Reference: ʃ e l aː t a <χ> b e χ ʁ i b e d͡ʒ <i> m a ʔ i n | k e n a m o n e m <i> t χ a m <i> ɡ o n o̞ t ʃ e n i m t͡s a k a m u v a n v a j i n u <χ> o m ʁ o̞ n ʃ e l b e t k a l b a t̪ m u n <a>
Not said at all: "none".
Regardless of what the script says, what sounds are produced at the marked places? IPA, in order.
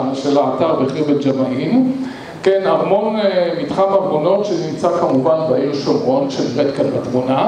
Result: ʁ, a, i, a, ʃ, a

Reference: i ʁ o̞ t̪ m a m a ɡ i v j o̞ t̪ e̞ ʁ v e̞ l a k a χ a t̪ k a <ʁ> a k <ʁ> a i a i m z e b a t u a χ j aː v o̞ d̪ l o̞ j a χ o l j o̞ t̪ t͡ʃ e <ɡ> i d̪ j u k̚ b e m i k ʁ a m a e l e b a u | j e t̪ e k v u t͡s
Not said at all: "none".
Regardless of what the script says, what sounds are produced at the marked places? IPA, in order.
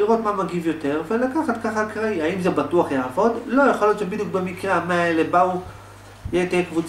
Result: χ, ʁ, b

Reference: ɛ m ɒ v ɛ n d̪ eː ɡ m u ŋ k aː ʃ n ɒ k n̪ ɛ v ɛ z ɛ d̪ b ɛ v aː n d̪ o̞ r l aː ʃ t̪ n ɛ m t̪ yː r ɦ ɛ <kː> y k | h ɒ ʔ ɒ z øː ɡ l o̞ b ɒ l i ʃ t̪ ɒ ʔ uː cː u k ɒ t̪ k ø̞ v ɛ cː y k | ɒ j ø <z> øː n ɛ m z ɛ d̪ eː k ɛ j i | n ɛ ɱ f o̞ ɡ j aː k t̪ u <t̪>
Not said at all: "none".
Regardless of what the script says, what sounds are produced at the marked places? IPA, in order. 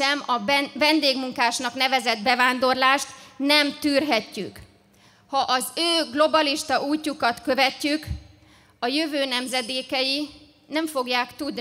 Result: cː, v, d̪

